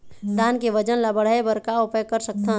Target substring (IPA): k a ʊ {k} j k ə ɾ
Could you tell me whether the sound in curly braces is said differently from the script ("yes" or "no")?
yes